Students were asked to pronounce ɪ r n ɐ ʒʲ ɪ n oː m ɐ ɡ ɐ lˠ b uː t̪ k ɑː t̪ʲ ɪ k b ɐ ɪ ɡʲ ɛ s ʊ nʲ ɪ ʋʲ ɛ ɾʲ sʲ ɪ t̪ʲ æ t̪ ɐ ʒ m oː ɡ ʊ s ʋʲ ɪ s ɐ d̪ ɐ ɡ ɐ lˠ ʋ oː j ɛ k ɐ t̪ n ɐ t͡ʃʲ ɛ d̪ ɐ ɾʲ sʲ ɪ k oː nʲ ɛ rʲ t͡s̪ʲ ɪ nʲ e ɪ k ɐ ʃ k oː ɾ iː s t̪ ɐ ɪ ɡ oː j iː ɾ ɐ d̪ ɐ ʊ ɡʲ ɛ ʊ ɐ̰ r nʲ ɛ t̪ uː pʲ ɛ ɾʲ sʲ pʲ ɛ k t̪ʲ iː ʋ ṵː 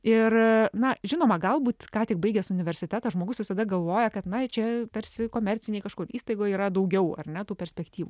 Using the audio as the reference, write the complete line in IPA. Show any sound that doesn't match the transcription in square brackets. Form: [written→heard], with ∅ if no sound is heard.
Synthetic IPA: ɪ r n ɐ ʒʲ ɪ n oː m ɐ ɡ ɐ lˠ b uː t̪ k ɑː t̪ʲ ɪ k b ɐ ɪ ɡʲ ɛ s ʊ nʲ ɪ ʋʲ ɛ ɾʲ sʲ ɪ t̪ʲ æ t̪ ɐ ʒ m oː ɡ ʊ s ʋʲ ɪ s ɐ d̪ ɐ ɡ ɐ lˠ ʋ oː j ɛ k ɐ t̪ n ɐ t͡ʃʲ ɛ [d̪→t̪] ɐ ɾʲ sʲ ɪ k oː [nʲ→mʲ] ɛ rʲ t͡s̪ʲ ɪ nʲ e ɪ k ɐ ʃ k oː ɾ iː s t̪ ɐ ɪ ɡ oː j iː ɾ ɐ d̪ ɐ ʊ ɡʲ ɛ ʊ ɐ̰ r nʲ ɛ t̪ uː pʲ ɛ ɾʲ sʲ pʲ ɛ k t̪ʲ iː ʋ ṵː